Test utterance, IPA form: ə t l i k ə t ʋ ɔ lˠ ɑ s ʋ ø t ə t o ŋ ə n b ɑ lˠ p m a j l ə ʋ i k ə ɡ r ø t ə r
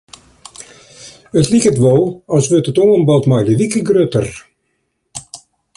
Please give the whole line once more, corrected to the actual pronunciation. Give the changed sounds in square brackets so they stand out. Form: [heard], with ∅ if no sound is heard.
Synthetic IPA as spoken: ə t l i k ə t ʋ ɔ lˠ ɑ s ʋ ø t ə t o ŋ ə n b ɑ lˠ [t] m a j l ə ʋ i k ə ɡ r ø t ə r